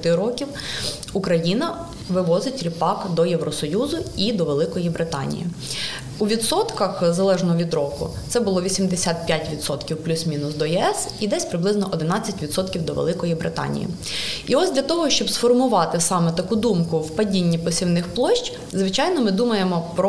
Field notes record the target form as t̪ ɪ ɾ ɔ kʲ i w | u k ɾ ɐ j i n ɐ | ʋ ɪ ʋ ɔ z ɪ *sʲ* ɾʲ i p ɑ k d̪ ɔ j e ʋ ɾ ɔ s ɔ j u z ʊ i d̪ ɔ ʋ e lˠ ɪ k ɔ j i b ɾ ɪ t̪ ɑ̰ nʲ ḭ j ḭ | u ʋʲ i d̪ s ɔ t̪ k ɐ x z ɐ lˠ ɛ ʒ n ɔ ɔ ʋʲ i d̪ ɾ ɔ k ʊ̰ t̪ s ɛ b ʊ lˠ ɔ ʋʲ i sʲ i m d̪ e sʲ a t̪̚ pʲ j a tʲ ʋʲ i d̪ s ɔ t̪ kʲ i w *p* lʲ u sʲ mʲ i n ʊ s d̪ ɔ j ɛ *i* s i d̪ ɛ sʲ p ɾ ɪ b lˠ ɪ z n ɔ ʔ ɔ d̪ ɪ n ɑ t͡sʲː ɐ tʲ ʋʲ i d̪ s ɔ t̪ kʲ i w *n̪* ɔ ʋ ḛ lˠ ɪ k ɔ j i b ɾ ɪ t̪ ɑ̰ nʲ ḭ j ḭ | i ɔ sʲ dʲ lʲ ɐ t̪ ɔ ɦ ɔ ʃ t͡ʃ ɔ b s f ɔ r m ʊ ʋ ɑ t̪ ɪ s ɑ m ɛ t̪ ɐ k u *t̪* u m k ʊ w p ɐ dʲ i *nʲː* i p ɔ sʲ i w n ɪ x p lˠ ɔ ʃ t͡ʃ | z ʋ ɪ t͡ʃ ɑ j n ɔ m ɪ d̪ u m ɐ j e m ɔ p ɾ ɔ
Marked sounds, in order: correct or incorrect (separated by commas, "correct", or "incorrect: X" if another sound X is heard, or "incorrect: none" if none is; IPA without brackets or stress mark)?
incorrect: tʲ, correct, incorrect: ɛ, incorrect: d̪, incorrect: d̪, correct